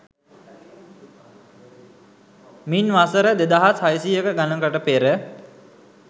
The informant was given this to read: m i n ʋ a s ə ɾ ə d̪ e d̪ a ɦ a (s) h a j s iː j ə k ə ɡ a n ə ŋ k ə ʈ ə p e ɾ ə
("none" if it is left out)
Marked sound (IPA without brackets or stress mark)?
s